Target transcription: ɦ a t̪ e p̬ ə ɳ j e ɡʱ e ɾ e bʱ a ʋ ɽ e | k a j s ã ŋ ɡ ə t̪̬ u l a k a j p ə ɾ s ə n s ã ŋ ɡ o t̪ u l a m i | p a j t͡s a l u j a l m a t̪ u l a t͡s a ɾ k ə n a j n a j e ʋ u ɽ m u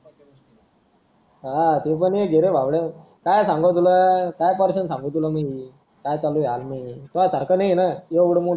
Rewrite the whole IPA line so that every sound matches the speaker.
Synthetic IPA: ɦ a t̪ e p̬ ə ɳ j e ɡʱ e ɾ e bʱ a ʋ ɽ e | k a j s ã ŋ ɡ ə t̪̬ u l a k a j p ə ɾ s ə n s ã ŋ ɡ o t̪ u l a m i | k a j t͡s a l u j a l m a t̪ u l a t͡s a ɾ k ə n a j n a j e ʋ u ɽ m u

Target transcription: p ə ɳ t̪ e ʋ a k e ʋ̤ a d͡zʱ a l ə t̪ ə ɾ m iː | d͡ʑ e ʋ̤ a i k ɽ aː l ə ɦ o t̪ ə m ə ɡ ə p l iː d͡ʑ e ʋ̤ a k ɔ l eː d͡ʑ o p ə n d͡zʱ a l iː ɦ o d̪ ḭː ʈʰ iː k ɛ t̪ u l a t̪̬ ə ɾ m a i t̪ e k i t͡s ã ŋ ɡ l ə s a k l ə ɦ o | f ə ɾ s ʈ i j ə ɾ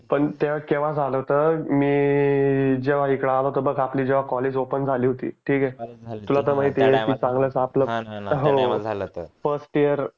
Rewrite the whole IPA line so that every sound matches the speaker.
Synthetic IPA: p ə ɳ t̪ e ʋ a k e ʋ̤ a d͡zʱ a l ə t̪ ə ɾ m iː | d͡ʑ e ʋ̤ a i k ɽ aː l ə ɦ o t̪ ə b ə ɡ a p l iː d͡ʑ e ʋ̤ a k ɔ l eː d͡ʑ o p ə n d͡zʱ a l iː ɦ o t̪ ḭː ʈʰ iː k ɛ t̪ u l a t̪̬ ə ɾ m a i t̪ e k i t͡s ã ŋ ɡ l ə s a p l ə ɦ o | f ə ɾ s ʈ i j ə ɾ

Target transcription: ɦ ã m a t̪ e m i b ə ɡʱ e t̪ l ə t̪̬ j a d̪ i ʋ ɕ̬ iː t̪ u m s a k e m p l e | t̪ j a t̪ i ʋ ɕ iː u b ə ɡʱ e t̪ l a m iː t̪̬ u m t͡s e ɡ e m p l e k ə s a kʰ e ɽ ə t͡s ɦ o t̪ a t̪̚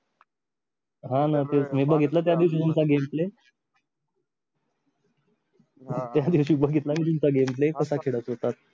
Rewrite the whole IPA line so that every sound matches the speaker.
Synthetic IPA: ɦ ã n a t̪ e m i b ə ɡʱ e t̪ l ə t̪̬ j a d̪ i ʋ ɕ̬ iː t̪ u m t͡s a ɡ e m p l e | t̪ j a d̪ i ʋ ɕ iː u b ə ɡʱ e t̪ l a m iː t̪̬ u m t͡s a ɡ e m p l e k ə s a kʰ e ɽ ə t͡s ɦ o t̪ a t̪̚

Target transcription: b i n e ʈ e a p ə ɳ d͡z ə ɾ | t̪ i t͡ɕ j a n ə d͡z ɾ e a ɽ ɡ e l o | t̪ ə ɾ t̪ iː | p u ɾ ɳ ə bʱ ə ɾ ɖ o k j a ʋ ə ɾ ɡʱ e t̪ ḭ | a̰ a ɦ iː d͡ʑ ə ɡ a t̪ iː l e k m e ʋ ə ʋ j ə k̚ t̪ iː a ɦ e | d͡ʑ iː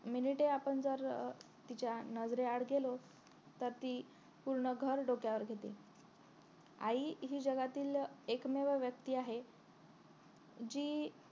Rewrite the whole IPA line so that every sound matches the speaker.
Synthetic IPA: m i n i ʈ e a p ə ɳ d͡z ə ɾ | t̪ i t͡ɕ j a n ə d͡z ɾ e a ɽ ɡ e l o | t̪ ə ɾ t̪ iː | p u ɾ ɳ ə ɡʱ ə ɾ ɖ o k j a ʋ ə ɾ ɡʱ e t̪ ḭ | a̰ i ɦ iː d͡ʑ ə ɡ a t̪ iː l e k m e ʋ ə ʋ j ə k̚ t̪ iː a ɦ e | d͡ʑ iː

